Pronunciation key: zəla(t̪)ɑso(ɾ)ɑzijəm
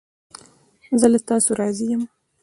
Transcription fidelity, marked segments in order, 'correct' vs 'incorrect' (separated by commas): correct, correct